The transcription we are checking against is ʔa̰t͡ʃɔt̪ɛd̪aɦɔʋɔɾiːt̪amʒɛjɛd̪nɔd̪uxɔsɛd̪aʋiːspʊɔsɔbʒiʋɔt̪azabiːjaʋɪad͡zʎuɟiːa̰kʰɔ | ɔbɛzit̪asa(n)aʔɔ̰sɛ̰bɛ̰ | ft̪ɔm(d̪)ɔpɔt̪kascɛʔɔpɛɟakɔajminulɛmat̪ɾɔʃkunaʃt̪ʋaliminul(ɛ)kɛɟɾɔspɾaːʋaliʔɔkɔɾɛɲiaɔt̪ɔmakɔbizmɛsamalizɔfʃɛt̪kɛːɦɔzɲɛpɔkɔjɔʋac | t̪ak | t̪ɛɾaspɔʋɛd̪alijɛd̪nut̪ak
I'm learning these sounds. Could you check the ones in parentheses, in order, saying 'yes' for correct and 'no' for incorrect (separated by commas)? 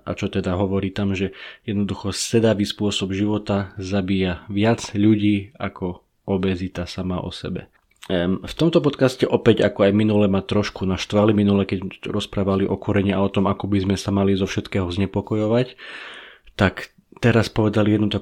no, no, yes